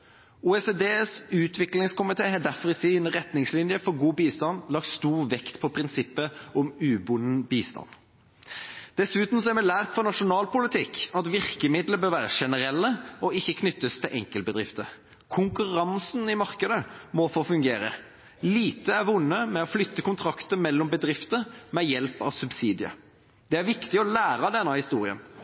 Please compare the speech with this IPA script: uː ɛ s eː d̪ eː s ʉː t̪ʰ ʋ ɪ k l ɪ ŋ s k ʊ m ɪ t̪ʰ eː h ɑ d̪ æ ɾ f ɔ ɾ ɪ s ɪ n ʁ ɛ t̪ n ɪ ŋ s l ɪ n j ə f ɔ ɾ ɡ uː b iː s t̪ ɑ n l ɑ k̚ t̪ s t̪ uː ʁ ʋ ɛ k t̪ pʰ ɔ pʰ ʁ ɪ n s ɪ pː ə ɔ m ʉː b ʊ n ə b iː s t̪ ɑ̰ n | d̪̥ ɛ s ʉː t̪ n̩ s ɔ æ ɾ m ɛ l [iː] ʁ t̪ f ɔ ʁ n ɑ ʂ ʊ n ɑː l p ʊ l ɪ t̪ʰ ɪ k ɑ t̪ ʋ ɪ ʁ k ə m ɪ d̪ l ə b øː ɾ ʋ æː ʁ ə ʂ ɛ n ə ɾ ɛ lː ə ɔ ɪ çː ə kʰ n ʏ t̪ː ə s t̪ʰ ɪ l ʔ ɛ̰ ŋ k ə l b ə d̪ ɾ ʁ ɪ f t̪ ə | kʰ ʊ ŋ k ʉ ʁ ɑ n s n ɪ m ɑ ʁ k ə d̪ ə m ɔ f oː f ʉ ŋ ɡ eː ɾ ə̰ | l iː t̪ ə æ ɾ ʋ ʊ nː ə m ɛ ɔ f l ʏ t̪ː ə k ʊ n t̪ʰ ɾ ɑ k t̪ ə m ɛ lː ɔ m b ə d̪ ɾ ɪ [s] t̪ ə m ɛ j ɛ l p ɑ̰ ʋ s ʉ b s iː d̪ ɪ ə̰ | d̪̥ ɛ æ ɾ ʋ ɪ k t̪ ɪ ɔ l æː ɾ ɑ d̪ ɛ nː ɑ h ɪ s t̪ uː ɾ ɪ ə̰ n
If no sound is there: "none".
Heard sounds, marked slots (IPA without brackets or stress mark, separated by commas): æː, f